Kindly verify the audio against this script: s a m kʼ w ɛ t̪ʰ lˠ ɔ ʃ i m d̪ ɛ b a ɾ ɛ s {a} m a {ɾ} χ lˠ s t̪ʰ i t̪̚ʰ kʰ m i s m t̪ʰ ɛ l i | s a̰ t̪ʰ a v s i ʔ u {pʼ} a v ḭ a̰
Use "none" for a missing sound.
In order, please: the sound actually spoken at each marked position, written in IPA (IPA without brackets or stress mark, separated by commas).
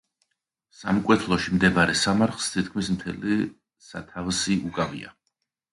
a, ɾ, kʼ